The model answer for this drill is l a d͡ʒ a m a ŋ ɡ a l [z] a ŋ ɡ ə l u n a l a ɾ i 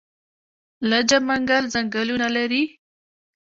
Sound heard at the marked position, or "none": z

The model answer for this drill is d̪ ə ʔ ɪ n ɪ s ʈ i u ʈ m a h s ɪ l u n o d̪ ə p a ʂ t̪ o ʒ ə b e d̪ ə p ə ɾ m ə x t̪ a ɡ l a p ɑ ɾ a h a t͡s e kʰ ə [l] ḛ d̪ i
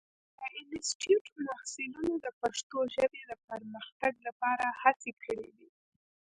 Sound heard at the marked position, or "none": ɽ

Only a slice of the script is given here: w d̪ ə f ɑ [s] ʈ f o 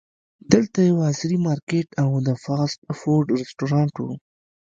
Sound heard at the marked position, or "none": s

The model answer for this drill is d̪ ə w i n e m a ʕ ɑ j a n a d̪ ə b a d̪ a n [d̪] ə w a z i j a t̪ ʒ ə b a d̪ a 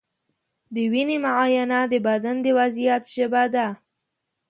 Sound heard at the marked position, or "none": d̪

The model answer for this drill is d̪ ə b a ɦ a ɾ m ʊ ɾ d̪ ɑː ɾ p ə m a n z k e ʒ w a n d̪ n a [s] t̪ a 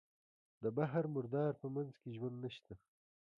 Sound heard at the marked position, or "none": ʃ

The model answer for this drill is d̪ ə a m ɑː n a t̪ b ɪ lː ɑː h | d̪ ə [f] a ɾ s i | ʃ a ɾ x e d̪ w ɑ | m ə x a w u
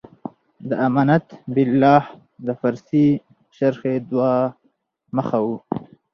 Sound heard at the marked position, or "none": f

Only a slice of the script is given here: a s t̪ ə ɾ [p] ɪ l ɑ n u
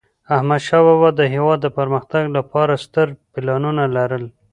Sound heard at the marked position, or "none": p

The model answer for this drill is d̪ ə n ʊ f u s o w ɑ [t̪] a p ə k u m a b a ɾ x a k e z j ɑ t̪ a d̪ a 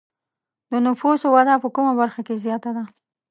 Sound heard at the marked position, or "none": d̪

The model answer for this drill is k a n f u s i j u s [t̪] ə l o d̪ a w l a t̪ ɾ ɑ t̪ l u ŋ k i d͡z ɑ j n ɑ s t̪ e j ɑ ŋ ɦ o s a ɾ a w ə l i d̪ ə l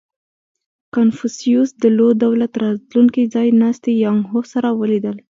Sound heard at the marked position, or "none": d̪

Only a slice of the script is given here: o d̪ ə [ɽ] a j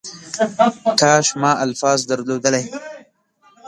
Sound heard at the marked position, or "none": l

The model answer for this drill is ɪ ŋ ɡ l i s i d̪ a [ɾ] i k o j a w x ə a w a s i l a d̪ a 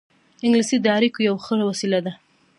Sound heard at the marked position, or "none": ɾ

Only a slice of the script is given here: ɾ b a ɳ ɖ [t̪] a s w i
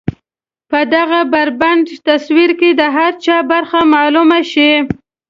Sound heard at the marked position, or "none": t̪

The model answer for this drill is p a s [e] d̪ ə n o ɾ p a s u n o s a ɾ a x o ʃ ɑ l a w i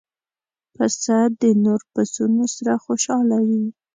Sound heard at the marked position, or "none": a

